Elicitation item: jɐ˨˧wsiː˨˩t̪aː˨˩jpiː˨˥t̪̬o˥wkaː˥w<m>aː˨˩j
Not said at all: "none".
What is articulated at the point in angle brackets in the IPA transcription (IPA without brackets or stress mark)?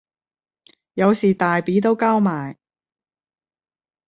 m